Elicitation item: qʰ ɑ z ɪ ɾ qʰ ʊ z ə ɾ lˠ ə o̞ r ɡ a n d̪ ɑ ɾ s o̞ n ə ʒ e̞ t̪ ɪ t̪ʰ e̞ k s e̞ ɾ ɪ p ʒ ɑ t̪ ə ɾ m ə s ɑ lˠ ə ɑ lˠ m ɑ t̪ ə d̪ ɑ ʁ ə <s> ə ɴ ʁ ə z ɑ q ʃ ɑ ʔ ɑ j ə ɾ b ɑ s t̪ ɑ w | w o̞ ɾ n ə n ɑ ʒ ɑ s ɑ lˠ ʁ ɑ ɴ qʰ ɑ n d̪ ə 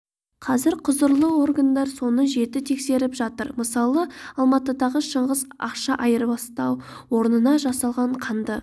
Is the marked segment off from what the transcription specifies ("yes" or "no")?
yes